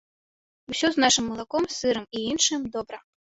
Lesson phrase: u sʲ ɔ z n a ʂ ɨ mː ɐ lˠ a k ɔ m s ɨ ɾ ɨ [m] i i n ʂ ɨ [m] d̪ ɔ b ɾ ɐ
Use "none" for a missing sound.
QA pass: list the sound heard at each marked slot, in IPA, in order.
m, m

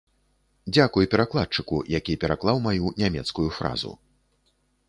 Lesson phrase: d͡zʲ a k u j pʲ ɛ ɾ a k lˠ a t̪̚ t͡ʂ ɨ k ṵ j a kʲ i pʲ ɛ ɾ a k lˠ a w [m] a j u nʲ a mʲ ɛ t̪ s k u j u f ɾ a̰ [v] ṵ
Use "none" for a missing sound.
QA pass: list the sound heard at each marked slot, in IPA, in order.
m, z

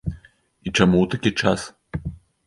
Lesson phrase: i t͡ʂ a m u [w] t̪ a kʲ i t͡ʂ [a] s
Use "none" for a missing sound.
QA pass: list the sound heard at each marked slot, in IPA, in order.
w, a

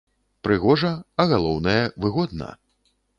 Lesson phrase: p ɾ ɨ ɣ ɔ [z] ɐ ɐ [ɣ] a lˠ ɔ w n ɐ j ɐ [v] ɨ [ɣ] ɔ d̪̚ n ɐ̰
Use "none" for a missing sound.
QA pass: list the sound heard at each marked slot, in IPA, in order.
ʐ, ɣ, v, ɣ

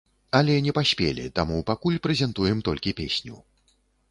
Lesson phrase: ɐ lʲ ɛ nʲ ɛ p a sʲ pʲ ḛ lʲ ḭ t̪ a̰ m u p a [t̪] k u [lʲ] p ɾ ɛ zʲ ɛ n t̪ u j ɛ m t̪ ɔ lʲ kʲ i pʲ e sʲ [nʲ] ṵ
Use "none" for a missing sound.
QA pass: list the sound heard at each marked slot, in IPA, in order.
none, lʲ, nʲ

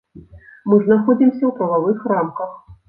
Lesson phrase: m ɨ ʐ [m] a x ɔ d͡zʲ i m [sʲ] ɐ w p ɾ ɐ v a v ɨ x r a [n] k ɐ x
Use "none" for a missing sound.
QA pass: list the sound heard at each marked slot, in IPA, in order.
n, sʲ, m

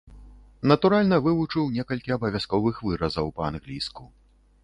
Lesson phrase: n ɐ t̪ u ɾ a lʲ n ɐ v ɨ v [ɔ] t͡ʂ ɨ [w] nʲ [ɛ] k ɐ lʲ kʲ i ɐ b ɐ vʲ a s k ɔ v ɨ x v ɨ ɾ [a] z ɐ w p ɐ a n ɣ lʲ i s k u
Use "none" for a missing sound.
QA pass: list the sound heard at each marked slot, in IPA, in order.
u, w, ɛ, ɐ

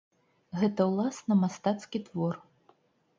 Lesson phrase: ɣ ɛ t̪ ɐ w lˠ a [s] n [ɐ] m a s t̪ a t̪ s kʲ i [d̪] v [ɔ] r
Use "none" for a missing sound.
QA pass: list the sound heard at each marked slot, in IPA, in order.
s, ɐ, t̪, ɔ

